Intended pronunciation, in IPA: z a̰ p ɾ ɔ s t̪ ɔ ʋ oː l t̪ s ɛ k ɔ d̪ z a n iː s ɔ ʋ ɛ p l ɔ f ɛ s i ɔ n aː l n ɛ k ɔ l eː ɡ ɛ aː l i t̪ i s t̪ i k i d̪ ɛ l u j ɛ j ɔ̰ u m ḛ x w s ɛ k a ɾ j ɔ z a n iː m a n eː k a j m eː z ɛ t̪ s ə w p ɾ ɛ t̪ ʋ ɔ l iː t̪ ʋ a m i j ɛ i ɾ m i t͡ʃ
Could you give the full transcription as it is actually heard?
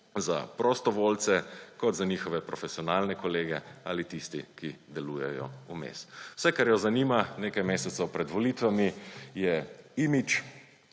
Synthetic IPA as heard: z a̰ p ɾ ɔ s t̪ ɔ ʋ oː l t̪ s ɛ k ɔ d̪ z a n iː x ɔ ʋ ɛ p ɾ ɔ f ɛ s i ɔ n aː l n ɛ k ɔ l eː ɡ ɛ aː l i t̪ i s t̪ i k i d̪ ɛ l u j ɛ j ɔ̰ u m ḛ s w s ɛ k a ɾ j ɔ z a n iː m a n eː k a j m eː s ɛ t̪ s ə w p ɾ ɛ d̪ ʋ ɔ l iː t̪ ʋ a m i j ɛ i m i t͡ʃ